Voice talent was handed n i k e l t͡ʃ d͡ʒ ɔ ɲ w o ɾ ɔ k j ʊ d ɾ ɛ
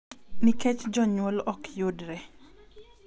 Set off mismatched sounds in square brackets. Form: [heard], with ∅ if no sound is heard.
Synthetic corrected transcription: n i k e [∅] t͡ʃ d͡ʒ ɔ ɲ w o [l] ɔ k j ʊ d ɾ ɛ